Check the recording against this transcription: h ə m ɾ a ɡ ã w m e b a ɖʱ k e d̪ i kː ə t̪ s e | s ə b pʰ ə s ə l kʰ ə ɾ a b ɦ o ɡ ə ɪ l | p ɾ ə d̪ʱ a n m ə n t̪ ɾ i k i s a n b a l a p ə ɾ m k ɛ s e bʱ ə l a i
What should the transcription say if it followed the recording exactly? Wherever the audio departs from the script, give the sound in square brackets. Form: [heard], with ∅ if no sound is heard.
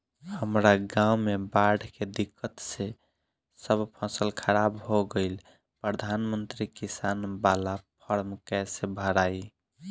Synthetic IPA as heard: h ə m ɾ a ɡ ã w m e b a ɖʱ k e d̪ i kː ə t̪ s e | s ə b pʰ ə s ə l kʰ ə ɾ a b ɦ o ɡ ə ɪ l | p ɾ ə d̪ʱ a n m ə n t̪ ɾ i k i s a n b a l a [pʰ] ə ɾ m k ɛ s e bʱ ə [ɾ] a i